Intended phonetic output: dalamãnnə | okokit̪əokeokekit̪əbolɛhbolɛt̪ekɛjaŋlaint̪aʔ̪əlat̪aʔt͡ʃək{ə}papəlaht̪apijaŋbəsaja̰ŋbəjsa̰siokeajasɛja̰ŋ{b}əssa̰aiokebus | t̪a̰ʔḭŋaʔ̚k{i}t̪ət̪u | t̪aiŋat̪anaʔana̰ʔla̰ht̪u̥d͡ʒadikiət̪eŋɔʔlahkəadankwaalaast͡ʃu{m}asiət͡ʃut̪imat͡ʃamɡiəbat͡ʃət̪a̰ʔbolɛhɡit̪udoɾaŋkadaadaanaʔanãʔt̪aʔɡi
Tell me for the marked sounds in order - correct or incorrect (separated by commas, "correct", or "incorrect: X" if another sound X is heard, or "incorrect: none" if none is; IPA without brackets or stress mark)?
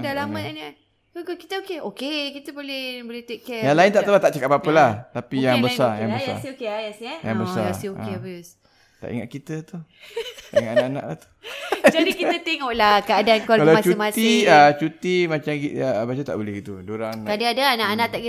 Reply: incorrect: a, correct, correct, correct